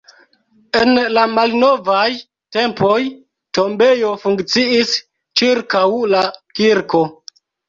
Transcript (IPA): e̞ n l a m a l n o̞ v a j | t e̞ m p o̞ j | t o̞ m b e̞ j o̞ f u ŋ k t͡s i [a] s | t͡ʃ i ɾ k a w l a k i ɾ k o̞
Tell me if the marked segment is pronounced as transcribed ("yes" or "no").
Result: no